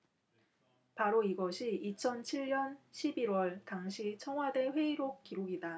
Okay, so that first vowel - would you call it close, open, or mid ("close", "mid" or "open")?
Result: open